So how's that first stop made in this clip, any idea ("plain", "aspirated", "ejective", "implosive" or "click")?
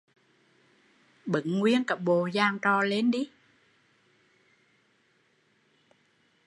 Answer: implosive